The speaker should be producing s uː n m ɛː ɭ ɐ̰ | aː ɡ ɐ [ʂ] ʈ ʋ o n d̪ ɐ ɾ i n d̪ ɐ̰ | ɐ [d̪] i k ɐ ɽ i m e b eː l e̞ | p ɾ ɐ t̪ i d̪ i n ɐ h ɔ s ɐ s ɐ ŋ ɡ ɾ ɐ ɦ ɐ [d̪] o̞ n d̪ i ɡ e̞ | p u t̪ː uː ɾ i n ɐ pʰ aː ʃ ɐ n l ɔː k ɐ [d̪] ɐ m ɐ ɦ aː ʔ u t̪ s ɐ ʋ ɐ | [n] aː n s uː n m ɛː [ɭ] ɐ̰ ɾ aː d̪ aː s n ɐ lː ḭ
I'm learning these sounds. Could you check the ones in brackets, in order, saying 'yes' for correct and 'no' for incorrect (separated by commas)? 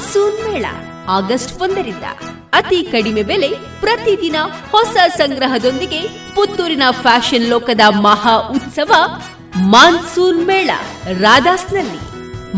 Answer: no, no, yes, yes, no, yes